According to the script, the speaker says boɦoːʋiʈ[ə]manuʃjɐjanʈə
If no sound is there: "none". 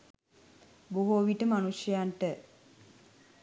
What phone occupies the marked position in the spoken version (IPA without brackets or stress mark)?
ə